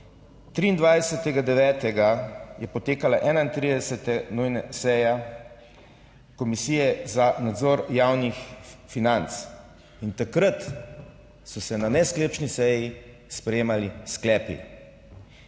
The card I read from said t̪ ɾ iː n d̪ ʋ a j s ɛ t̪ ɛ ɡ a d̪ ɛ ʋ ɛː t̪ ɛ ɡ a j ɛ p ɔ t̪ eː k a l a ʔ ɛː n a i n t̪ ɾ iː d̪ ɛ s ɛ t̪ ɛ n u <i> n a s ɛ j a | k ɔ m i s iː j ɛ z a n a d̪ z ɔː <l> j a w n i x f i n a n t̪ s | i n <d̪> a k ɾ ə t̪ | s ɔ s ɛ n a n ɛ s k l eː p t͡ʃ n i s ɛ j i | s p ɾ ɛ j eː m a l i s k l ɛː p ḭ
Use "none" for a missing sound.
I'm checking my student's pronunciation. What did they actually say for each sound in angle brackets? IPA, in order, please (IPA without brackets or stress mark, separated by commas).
j, ɾ, t̪